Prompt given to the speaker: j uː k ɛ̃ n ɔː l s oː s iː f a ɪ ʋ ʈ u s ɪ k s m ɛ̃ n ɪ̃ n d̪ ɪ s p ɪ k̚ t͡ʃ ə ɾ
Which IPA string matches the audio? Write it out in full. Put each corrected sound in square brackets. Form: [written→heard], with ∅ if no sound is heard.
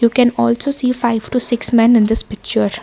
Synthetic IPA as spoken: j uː k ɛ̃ n ɔː l s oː s iː f a ɪ ʋ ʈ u s ɪ k s m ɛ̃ n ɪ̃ n d̪ ɪ s p ɪ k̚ t͡ʃ ə ɾ